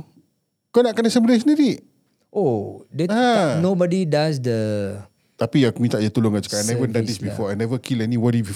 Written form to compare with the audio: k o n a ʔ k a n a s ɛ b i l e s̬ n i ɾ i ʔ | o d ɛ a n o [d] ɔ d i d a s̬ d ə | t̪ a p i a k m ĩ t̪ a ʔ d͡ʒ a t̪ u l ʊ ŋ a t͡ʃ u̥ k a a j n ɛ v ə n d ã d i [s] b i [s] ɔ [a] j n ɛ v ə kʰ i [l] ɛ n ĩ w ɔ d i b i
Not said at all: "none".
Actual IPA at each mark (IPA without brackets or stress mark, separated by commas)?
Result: b, s, f, a, l